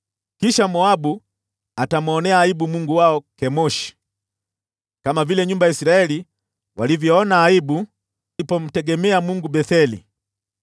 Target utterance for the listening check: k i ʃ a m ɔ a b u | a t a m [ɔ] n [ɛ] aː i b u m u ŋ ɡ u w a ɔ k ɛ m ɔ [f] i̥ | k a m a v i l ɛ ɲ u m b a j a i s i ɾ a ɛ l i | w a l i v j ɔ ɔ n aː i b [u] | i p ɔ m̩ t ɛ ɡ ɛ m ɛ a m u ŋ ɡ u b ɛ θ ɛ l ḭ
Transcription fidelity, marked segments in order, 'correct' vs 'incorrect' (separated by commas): correct, correct, incorrect, correct